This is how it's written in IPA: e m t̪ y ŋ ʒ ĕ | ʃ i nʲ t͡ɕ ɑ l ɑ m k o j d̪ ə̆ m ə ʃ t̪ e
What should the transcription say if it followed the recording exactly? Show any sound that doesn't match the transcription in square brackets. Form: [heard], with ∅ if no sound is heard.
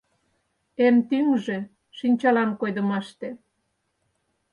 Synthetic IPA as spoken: e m t̪ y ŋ ʒ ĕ | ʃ i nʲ t͡ɕ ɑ l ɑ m k o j d̪ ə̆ m [ɑ] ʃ t̪ e

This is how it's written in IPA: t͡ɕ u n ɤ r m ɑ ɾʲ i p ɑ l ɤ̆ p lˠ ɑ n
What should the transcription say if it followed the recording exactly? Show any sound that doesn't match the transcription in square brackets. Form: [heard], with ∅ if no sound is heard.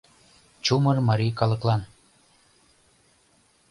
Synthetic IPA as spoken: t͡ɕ u [m] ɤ r m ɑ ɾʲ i [k] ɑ l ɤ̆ [k] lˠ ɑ n

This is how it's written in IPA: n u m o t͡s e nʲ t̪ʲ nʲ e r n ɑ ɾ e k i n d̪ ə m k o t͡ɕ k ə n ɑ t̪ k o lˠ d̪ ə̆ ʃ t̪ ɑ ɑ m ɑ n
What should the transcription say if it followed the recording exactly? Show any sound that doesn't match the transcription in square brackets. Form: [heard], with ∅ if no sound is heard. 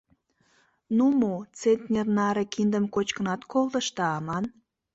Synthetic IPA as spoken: n u m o t͡s e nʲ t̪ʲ nʲ e r n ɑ ɾ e k i n d̪ ə m k o t͡ɕ k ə n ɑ t̪ k o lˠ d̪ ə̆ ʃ t̪ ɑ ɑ m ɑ n

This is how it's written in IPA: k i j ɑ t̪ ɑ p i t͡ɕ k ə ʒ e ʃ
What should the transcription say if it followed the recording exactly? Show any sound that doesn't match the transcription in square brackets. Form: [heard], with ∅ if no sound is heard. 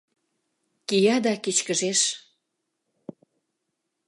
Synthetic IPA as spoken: k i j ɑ [d̪] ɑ [k] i t͡ɕ k ə ʒ e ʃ

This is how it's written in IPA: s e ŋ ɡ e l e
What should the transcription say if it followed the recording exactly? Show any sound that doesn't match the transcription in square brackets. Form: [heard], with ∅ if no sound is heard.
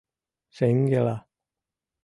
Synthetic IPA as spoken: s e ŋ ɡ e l [a]

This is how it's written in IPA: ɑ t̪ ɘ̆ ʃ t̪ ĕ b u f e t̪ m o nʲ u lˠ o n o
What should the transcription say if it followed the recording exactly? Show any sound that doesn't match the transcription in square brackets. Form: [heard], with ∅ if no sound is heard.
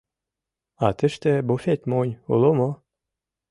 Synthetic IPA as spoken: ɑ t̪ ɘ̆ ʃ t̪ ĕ b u f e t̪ m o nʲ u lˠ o [m] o

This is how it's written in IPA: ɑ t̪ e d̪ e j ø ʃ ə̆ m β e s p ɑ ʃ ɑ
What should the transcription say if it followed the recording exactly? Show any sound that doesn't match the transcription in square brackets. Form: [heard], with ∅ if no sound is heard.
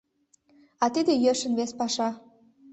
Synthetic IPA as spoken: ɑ t̪ [i] d̪ e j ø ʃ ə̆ [n] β e s p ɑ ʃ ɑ

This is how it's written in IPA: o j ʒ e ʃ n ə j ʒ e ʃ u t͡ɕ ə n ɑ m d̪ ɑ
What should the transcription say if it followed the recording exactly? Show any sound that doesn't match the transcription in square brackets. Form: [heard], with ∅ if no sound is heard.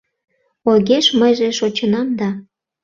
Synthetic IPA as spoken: o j [ɣ] e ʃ [m] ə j ʒ e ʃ [o] t͡ɕ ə n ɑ m d̪ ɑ

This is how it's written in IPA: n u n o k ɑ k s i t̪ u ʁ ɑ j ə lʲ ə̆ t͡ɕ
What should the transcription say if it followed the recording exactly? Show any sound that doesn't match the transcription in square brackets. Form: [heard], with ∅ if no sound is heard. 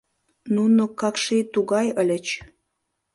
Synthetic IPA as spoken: n u n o k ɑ k [ʃ] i t̪ u [ɣ] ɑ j ə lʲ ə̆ t͡ɕ

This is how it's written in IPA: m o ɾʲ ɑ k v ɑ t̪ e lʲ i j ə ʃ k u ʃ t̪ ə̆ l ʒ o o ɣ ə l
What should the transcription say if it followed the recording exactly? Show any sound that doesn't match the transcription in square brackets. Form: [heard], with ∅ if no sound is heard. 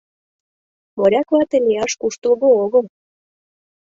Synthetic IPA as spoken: m o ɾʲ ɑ k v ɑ t̪ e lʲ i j [ɑ] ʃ k u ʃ t̪ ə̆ l [ɣ] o o ɣ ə l

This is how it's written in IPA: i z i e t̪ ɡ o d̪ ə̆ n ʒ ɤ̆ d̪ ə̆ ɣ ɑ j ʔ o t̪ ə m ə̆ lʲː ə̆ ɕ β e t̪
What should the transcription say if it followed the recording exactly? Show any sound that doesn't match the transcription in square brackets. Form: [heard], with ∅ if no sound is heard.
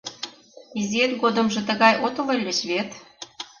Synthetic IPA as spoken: i z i e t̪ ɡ o d̪ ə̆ [m] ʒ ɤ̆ [t̪] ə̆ ɣ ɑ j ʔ o t̪ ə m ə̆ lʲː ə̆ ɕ β e t̪

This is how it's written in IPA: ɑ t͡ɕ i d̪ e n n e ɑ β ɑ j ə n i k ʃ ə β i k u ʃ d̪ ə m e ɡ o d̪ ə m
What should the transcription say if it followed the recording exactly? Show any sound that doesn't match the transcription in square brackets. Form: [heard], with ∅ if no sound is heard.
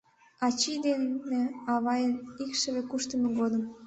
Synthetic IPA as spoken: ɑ t͡ɕ i d̪ e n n e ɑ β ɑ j ə n i k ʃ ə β [e] k u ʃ [t̪] ə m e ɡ o d̪ ə m

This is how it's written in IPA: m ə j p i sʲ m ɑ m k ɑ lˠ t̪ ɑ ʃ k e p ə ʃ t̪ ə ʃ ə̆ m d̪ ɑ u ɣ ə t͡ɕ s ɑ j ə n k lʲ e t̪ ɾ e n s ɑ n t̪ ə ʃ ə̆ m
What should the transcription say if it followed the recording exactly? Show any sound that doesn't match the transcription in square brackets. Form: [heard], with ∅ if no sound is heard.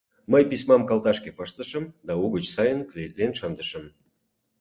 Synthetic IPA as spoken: m ə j p i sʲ m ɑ m k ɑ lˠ t̪ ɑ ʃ k e p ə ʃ t̪ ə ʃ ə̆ m d̪ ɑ u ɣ ə t͡ɕ s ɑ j ə n k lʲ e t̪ [l] e n [ʃ] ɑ n [d̪] ə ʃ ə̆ m

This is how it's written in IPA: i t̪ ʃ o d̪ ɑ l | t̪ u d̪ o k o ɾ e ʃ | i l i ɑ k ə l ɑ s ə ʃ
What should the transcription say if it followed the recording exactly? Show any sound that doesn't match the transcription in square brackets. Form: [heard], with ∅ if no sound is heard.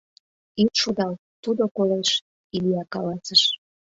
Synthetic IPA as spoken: i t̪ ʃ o d̪ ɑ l | t̪ u d̪ o k o [l] e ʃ | i l i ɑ k [ɑ] l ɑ s ə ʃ

